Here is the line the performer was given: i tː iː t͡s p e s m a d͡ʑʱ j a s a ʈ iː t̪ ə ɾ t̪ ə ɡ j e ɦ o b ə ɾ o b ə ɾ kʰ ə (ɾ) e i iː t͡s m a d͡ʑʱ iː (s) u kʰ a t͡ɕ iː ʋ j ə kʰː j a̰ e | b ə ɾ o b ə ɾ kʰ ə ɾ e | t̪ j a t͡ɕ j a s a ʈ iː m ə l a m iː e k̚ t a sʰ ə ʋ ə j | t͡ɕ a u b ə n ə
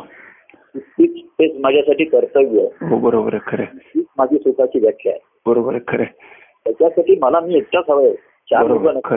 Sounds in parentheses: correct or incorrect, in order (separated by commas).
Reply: correct, correct